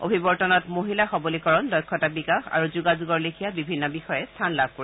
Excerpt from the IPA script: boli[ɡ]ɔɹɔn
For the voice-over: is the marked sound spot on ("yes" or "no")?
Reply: no